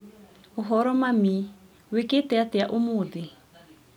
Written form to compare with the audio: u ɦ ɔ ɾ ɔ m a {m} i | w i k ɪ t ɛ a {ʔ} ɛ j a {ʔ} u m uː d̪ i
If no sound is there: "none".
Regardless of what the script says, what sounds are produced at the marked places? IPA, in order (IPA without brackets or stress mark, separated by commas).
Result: m, t, ʔ